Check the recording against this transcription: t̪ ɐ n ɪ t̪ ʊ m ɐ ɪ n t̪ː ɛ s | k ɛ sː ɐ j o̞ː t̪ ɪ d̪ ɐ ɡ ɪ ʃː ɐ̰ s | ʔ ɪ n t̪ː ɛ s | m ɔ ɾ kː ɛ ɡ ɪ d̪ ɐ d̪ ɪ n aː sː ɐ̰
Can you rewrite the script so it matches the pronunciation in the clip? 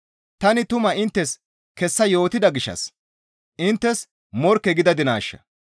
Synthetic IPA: t̪ ɐ n ɪ t̪ ʊ m ɐ ɪ n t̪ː ɛ s | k ɛ sː ɐ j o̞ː t̪ ɪ d̪ ɐ ɡ ɪ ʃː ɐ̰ s | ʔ ɪ n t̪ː ɛ s | m ɔ ɾ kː ɛ ɡ ɪ d̪ ɐ d̪ ɪ n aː ʃː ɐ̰